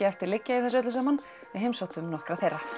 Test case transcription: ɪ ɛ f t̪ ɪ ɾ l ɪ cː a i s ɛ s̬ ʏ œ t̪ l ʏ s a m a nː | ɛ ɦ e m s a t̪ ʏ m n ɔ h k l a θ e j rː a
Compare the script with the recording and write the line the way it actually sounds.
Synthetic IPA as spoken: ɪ ɛ f t̪ ɪ ɾ l ɪ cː a i θ ɛ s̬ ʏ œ t̪ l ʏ s a m a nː | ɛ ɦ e m s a t̪ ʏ m n ɔ h k ɾ a θ e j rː a